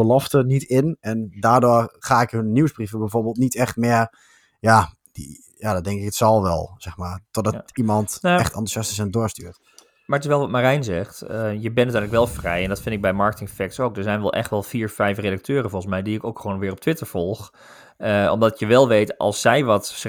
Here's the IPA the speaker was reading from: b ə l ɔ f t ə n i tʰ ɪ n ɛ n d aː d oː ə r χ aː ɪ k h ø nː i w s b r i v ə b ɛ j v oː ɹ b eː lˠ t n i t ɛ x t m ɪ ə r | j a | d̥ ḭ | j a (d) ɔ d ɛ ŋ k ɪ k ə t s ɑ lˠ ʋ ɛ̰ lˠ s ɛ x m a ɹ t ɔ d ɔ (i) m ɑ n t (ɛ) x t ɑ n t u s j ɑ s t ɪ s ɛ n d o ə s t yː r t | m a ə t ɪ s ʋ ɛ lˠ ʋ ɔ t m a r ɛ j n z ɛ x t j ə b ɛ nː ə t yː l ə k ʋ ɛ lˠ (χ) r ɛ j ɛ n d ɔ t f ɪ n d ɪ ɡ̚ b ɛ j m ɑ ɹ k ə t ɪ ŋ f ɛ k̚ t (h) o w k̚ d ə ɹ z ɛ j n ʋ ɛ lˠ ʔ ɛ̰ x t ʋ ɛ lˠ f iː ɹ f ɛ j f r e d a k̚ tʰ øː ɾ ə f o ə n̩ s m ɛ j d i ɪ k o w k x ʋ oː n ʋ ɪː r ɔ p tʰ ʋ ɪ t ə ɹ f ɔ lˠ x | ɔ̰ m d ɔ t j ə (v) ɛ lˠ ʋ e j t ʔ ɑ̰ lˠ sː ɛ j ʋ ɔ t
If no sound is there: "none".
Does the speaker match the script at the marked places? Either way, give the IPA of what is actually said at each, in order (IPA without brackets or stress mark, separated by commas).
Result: d, i, ɛ, f, s, ʋ